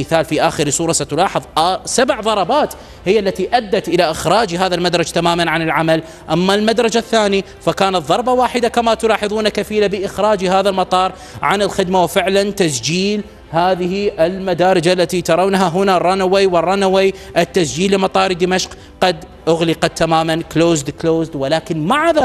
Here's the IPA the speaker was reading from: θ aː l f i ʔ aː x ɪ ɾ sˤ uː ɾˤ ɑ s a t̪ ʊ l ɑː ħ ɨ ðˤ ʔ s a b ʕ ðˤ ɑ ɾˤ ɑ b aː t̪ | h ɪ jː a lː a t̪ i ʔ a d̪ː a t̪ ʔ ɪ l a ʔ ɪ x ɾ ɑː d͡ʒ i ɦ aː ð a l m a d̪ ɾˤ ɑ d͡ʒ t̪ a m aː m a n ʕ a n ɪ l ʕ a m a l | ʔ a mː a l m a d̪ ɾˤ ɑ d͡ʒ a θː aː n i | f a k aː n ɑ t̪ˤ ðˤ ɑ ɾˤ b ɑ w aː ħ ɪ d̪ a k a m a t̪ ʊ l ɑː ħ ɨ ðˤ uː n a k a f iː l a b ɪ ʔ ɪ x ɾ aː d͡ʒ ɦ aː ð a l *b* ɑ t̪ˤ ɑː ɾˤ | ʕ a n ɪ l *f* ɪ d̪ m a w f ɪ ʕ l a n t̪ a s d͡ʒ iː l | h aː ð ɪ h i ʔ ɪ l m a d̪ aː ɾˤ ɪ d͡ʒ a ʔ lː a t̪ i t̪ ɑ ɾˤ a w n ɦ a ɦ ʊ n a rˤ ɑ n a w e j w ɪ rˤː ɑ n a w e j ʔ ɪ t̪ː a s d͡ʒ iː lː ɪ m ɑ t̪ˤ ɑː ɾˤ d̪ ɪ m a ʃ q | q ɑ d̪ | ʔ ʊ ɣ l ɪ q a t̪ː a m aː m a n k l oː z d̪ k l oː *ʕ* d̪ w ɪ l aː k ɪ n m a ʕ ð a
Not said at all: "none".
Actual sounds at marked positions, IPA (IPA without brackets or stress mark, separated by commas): m, x, z